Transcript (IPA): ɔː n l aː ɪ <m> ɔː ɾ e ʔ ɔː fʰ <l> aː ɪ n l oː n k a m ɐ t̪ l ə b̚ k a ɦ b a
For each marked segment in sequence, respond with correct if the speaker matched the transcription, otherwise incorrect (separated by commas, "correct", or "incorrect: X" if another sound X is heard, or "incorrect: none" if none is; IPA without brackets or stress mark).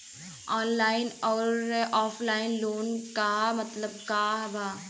incorrect: n, correct